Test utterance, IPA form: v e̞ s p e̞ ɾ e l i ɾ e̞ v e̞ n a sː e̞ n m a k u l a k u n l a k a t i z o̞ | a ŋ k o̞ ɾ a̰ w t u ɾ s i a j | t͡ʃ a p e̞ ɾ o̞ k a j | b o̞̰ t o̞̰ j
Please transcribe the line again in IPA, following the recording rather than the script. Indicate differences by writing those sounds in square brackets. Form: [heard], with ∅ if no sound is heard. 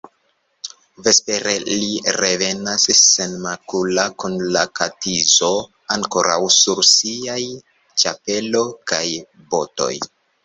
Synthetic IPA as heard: v e̞ s p e̞ ɾ e l i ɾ e̞ v e̞ n a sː e̞ n m a k u l a k u n l a k a t i z o̞ | a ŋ k o̞ ɾ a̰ w [s] u ɾ s i a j | t͡ʃ a p e̞ [l] o̞ k a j | b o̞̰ t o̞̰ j